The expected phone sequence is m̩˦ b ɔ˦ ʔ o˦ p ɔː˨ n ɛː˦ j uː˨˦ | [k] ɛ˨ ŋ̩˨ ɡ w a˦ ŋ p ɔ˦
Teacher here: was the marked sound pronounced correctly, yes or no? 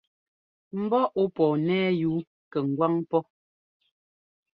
yes